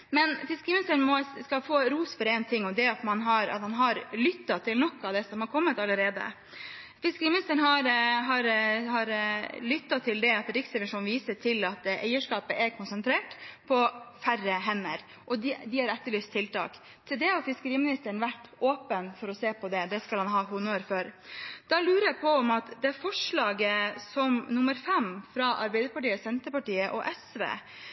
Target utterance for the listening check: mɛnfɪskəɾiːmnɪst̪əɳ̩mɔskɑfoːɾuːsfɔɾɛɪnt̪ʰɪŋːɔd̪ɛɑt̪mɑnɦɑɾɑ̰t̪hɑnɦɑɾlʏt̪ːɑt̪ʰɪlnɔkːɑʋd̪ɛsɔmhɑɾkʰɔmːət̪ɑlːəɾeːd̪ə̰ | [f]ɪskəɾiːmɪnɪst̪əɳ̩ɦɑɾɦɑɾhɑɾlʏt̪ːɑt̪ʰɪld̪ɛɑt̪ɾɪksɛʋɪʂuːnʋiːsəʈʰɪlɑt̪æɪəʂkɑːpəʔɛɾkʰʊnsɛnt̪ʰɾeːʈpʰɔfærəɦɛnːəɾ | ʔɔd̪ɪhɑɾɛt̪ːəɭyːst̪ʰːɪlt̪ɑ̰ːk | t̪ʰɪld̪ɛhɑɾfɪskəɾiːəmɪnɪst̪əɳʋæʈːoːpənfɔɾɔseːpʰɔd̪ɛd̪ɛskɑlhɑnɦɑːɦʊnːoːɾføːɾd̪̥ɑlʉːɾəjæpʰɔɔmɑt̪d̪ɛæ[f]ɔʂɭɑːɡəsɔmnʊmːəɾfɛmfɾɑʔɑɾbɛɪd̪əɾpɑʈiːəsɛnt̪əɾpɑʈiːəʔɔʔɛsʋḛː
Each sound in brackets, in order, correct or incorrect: correct, correct

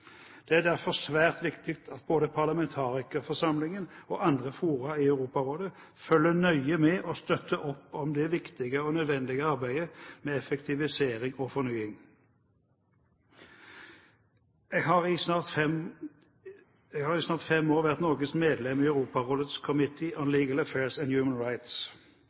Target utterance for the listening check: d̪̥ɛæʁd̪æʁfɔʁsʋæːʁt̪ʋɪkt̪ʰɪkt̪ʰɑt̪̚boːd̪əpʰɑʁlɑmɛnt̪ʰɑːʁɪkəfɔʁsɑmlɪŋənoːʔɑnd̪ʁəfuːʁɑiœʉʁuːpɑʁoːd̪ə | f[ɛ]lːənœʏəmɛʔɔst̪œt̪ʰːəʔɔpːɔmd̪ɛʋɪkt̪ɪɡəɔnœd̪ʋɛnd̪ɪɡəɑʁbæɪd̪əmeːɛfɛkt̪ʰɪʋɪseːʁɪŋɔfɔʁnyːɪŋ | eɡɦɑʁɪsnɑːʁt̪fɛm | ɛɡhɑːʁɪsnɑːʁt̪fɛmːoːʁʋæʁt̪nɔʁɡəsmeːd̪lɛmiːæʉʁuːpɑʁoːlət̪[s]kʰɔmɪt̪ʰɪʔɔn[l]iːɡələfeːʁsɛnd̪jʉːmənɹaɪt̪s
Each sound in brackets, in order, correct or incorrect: incorrect, correct, correct

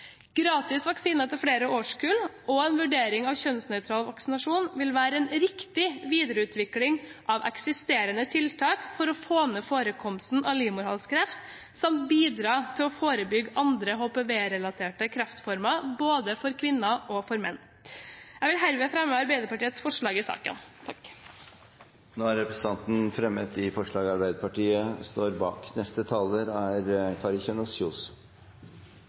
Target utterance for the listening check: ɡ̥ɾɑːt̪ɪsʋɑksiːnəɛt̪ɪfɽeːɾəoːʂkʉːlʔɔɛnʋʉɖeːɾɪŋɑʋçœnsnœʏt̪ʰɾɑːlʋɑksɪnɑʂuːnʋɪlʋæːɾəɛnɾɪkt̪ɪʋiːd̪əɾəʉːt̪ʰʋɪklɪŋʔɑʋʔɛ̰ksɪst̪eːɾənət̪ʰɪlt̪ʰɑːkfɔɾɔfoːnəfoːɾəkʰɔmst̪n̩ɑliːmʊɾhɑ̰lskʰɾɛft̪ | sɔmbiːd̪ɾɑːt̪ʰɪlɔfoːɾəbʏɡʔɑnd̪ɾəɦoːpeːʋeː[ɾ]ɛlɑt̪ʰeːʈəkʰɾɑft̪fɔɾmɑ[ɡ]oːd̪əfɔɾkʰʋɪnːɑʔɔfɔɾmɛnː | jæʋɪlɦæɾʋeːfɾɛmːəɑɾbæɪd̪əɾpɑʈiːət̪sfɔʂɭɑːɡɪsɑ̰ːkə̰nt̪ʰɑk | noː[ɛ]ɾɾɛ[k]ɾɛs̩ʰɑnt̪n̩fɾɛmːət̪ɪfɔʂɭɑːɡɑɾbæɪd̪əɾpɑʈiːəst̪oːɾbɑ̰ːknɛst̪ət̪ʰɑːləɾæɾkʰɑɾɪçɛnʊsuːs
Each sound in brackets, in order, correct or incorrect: correct, incorrect, incorrect, incorrect

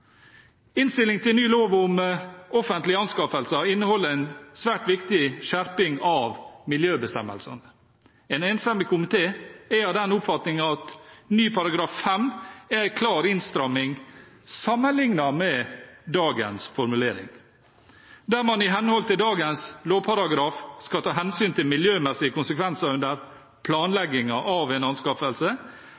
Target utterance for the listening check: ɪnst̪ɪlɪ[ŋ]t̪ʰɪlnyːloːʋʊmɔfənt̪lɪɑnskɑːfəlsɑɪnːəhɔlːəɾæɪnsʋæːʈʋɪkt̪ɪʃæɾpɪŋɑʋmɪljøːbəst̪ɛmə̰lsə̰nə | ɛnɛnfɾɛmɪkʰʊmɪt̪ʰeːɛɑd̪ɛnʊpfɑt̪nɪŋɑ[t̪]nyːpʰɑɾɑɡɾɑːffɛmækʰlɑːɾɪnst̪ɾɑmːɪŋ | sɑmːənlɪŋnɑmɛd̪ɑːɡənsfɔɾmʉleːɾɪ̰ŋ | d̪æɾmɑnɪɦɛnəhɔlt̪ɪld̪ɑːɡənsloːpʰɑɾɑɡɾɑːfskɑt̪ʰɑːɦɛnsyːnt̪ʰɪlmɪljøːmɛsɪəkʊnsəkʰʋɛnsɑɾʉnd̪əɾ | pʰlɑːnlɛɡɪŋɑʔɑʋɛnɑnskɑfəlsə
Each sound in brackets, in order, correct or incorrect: correct, correct

